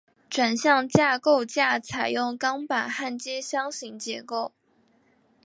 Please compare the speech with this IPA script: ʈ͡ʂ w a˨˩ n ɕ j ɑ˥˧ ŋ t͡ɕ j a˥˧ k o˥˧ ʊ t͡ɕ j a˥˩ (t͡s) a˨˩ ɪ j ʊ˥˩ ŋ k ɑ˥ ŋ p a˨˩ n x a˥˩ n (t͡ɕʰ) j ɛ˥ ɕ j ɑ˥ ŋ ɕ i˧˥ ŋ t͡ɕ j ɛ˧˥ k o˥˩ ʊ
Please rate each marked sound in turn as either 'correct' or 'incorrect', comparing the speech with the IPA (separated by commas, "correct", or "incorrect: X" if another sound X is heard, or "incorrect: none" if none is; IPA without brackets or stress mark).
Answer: incorrect: t͡sʰ, incorrect: t͡ɕ